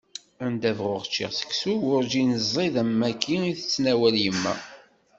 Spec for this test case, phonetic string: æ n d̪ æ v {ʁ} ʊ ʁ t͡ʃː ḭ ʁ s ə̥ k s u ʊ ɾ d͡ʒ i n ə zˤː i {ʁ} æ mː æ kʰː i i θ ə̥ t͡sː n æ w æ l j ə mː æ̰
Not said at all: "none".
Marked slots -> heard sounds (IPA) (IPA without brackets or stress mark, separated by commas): ʁ, ð